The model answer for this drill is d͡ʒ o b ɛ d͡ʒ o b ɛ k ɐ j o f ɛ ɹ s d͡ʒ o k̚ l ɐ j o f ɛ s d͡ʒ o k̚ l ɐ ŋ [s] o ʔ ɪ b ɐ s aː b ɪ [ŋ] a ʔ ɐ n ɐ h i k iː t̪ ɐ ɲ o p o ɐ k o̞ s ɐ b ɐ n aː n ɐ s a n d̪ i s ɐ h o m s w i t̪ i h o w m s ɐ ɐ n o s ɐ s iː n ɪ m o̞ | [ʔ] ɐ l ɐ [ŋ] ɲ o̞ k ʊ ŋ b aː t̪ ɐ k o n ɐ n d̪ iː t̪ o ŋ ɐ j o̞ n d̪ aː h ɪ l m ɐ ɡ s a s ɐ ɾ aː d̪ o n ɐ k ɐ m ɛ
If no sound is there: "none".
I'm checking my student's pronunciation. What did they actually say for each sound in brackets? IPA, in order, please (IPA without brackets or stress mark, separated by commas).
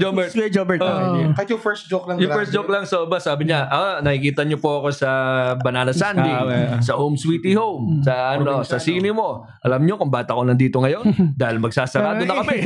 s, ɲ, ʔ, m